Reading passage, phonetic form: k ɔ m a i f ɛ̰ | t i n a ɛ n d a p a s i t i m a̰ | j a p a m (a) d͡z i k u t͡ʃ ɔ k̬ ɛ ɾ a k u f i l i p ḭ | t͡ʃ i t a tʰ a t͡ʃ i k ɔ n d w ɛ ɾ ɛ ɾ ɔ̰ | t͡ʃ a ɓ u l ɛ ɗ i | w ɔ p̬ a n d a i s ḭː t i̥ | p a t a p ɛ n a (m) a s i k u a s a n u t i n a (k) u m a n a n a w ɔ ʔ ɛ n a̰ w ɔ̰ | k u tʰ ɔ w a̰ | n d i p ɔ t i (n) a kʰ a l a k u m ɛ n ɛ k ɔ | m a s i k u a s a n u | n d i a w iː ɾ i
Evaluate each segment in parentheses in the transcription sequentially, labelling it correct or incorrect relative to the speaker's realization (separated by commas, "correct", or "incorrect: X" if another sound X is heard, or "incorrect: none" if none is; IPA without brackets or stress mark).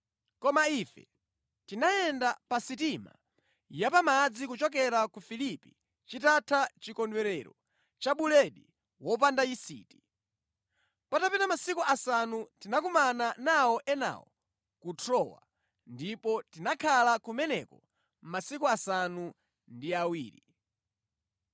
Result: correct, correct, correct, correct